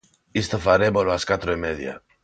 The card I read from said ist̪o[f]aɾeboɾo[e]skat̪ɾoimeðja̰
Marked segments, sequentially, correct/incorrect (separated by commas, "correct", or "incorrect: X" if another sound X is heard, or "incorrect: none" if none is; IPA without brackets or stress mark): correct, incorrect: a